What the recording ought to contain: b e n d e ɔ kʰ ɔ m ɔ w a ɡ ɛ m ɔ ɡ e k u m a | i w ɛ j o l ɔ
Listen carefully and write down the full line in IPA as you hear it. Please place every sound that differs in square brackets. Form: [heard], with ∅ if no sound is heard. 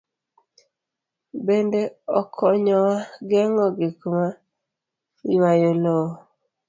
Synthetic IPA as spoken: b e n d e ɔ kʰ ɔ [ɲ] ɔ w a ɡ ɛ [ŋ] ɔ ɡ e k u m a | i w [a] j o l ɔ